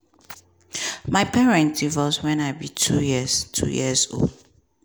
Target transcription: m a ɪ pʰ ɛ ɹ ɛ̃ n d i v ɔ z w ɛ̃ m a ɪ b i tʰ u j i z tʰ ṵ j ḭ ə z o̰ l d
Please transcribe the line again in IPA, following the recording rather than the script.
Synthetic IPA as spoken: m a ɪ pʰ ɛ ɹ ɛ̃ n t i v ɔ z w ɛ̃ n a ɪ b i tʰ u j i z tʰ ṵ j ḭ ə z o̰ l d